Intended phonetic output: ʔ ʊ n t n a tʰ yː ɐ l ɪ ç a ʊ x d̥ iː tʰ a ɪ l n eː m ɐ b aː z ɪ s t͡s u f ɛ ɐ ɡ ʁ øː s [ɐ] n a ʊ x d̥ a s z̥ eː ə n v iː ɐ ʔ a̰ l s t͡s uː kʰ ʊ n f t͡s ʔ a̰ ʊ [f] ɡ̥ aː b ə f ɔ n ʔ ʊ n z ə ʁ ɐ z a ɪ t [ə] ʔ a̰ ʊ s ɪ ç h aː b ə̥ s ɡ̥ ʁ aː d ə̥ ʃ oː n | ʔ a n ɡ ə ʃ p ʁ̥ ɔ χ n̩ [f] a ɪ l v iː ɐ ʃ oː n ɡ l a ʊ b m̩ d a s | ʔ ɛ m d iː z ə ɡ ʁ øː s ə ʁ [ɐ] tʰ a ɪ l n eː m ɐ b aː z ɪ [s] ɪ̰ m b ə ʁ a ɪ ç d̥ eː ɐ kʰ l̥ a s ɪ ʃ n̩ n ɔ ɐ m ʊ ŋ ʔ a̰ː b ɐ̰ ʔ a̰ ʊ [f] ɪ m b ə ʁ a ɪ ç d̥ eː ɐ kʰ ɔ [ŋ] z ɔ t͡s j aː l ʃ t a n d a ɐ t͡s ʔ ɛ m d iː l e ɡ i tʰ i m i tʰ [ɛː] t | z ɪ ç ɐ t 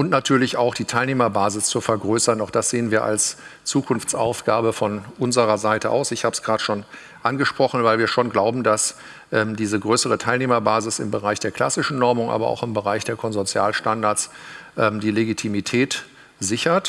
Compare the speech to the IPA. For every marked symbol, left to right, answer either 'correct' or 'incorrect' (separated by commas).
correct, correct, correct, incorrect, incorrect, correct, incorrect, incorrect, correct